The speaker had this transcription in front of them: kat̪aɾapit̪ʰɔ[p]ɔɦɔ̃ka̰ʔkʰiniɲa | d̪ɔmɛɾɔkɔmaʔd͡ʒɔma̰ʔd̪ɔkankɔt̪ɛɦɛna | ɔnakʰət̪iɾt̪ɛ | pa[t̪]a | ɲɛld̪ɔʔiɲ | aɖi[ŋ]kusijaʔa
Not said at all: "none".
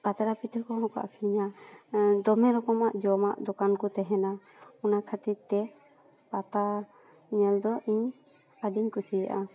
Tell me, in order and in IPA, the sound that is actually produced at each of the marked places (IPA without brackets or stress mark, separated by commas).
k, t̪, ɲ